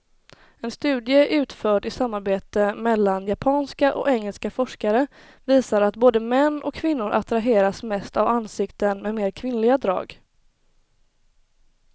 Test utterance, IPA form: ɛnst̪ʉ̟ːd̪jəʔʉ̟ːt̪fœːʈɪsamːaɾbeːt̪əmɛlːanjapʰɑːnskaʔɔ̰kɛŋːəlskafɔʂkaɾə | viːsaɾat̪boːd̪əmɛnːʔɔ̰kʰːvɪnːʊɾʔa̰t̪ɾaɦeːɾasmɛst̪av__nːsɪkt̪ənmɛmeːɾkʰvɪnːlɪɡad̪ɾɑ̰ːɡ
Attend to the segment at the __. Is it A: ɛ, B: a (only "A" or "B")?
B